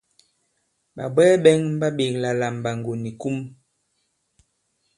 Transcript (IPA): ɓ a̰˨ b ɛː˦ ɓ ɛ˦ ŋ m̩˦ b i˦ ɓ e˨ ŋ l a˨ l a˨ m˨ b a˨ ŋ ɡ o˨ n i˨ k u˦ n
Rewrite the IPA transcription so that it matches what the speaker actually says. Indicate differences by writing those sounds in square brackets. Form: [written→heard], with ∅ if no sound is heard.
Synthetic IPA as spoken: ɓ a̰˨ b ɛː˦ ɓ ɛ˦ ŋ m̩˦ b [i˦→a˦] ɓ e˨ ŋ l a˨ l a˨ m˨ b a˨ ŋ ɡ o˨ n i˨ k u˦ [n→m]